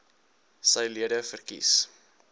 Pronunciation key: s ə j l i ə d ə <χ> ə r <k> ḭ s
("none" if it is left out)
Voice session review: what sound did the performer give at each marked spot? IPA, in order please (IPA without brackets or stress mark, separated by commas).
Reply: f, k